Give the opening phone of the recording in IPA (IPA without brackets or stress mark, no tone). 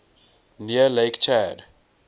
n